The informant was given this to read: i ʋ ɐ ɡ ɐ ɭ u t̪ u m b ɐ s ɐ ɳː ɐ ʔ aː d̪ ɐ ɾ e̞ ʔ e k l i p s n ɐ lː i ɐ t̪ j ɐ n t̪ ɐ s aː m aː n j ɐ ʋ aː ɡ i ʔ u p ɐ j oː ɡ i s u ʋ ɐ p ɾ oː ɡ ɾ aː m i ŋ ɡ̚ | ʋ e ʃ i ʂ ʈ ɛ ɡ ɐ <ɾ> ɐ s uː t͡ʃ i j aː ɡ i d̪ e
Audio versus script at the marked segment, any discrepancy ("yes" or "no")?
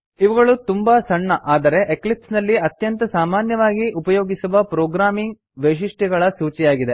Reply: yes